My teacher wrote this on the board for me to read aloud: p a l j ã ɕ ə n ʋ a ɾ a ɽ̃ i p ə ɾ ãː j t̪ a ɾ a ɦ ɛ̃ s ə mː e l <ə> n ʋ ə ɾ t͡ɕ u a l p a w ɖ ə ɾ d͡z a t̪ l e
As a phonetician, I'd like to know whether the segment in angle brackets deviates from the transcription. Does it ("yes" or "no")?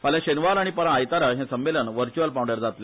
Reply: no